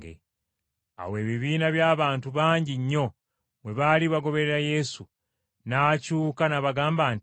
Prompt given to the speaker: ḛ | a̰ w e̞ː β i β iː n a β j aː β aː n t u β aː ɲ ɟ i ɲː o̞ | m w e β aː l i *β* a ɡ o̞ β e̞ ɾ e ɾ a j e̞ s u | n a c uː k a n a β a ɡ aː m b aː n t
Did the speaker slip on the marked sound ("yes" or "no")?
no